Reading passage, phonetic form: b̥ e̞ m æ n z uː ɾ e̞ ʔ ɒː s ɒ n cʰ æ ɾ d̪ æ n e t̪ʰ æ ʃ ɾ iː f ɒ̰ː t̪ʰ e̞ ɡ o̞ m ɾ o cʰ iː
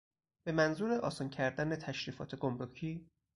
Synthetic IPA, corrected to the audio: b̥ e̞ m æ n z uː ɾ e̞ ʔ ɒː s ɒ n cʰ æ ɾ d̪ æ n e t̪ʰ æ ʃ ɾ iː f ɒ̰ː t̪ʰ e̞ ɡ o̞ m ɾ o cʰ iː